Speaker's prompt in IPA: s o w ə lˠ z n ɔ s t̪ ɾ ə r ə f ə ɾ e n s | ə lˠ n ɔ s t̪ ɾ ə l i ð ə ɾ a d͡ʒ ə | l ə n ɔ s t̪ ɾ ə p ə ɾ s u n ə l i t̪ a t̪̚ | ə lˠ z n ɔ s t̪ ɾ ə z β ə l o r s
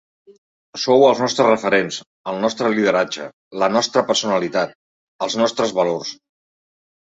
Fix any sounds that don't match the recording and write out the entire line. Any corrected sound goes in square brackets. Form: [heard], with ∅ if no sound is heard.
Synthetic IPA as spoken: s o w ə lˠ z n ɔ s t̪ ɾ ə r ə f ə ɾ e n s | ə lˠ n ɔ s t̪ ɾ ə l i ð ə ɾ a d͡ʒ ə | l ə n ɔ s t̪ ɾ ə p ə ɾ s u n ə l i t̪ a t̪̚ | ə lˠ z n ɔ s t̪ ɾ ə z β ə l o r s